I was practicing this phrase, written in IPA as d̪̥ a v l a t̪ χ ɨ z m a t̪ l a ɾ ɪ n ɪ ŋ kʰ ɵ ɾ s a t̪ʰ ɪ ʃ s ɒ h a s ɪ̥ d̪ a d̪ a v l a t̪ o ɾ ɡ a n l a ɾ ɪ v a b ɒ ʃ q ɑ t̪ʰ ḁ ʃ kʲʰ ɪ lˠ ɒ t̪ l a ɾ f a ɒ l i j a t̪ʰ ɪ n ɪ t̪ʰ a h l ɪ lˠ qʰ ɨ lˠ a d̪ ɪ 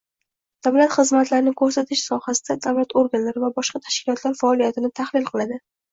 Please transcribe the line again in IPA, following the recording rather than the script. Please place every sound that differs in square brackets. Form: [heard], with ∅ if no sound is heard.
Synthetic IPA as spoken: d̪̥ a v l a t̪ χ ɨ z m a t̪ l a ɾ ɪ n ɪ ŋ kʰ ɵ ɾ s a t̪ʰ ɪ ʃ s ɒ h a s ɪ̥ d̪ a d̪ a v l a t̪ o ɾ ɡ a n l a ɾ ɪ v a b ɒ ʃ q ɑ t̪ʰ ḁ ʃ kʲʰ ɪ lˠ ɒ t̪ l a ɾ f a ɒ l i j a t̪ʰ ɪ n ɪ t̪ʰ a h l ɪ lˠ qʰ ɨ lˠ a d̪ ɪ